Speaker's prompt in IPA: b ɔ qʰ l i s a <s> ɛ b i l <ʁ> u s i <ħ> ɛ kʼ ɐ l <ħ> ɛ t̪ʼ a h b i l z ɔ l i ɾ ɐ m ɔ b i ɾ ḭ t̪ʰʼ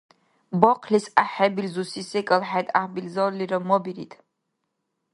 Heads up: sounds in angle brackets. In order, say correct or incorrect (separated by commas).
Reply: incorrect, incorrect, incorrect, correct